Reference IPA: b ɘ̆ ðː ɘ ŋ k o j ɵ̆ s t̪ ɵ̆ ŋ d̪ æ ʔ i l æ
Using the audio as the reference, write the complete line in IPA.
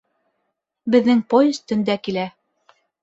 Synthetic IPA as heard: b ɘ̆ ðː ɘ ŋ p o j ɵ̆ s t̪ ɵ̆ n d̪ æ k i l æ